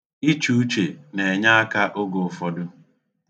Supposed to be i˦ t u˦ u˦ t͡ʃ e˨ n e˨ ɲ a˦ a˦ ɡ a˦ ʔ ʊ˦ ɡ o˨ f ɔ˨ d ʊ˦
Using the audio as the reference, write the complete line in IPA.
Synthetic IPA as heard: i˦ t͡ʃ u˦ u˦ t͡ʃ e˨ n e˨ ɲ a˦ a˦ k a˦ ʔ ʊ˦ ɡ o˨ f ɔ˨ d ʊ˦